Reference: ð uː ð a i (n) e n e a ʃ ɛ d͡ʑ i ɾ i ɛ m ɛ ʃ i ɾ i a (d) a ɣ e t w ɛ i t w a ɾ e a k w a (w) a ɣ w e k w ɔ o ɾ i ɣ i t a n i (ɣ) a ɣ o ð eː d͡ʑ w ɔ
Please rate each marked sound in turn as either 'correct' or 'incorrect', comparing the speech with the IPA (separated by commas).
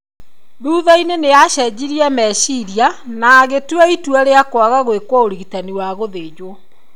correct, incorrect, incorrect, incorrect